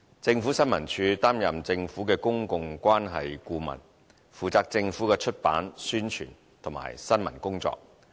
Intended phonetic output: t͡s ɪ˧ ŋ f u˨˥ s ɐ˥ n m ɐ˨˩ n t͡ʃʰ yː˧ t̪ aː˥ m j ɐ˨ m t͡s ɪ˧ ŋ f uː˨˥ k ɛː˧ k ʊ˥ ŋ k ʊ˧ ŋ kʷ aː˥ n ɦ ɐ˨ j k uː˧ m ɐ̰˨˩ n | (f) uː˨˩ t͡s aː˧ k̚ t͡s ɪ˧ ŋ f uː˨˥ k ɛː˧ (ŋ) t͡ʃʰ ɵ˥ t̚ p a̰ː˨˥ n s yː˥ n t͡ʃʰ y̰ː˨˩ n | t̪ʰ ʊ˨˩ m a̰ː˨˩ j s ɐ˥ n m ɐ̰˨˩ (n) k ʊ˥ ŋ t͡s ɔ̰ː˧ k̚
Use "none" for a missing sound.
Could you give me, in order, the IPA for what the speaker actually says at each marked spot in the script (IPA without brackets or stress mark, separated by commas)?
f, none, n